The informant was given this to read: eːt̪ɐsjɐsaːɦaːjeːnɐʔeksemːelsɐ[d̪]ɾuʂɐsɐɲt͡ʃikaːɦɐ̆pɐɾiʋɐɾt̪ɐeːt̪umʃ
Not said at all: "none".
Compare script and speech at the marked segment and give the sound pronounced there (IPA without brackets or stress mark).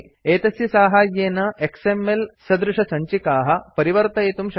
d̪